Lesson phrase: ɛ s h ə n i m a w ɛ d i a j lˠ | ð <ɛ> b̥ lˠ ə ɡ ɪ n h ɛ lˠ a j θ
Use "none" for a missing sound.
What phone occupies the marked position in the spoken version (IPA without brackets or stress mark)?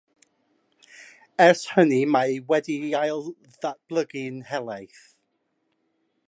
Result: a